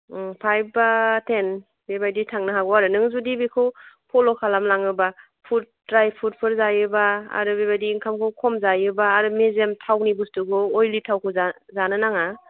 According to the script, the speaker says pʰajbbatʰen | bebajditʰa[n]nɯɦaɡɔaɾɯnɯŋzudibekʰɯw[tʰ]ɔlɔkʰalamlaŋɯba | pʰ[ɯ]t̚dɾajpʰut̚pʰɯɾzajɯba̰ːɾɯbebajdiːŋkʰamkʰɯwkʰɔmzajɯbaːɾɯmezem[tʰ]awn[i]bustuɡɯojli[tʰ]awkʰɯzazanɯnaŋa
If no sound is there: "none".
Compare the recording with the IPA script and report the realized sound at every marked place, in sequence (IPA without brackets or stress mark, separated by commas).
ŋ, pʰ, u, tʰ, i, tʰ